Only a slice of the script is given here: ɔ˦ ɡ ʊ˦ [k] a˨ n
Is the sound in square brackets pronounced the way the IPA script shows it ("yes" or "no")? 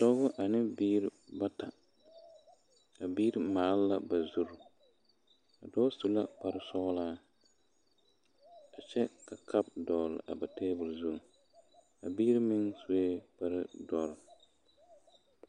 no